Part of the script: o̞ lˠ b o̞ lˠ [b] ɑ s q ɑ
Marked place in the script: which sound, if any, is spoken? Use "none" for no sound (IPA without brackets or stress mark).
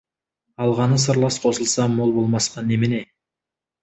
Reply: m